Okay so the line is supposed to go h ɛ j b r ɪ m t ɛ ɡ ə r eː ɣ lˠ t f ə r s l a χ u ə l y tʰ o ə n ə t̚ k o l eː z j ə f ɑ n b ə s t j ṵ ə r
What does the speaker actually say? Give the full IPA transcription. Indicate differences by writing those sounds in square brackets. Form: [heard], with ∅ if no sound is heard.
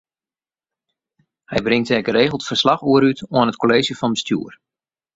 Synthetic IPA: h ɛ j b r ɪ [ŋ] t ɛ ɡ ə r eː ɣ lˠ t f ə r s l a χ u ə [ɾ] y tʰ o ə n ə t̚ k o l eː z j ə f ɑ n b ə s t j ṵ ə r